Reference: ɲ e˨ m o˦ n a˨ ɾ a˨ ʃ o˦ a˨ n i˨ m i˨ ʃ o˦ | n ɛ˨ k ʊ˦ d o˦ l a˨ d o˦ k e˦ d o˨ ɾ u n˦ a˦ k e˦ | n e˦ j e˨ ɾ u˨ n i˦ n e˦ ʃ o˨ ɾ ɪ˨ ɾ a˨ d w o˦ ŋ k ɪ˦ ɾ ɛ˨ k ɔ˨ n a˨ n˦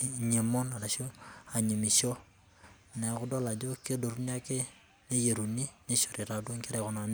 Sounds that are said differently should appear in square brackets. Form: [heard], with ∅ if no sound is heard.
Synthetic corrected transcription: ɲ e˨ m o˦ n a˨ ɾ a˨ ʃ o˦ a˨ [ɲ] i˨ m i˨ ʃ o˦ | n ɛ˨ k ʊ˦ d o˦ l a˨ [d͡ʒ] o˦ k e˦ d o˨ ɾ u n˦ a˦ k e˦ | n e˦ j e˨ ɾ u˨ n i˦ n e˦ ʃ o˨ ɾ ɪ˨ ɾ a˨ d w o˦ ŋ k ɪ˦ ɾ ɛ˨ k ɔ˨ n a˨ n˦